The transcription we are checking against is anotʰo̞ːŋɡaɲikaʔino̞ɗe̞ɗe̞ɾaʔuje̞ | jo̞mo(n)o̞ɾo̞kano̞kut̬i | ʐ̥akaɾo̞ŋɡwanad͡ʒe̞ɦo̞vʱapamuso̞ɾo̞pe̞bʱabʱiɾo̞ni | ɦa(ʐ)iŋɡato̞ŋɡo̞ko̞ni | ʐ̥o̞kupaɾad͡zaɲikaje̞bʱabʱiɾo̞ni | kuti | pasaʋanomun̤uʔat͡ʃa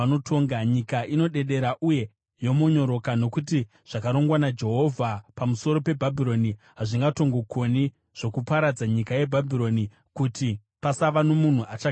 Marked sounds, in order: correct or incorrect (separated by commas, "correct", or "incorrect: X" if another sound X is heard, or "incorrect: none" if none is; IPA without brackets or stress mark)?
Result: incorrect: ɲ, correct